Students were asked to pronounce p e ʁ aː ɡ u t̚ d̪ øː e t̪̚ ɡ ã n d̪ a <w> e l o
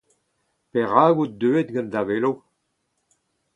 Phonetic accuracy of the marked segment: incorrect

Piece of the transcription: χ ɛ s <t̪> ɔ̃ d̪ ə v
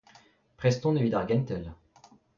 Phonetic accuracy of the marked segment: correct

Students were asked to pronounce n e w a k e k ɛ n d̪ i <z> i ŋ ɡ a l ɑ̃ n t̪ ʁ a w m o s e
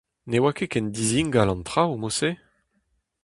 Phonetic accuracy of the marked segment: correct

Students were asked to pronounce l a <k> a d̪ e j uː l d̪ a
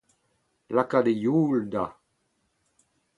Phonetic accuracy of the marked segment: correct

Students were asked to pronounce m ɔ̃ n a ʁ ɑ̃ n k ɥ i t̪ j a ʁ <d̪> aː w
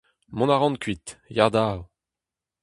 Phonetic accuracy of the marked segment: correct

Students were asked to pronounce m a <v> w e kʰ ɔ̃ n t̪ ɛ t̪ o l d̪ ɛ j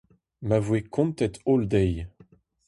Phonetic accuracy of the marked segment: correct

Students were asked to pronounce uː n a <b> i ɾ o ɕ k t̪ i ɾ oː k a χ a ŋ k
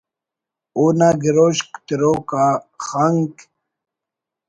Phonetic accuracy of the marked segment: incorrect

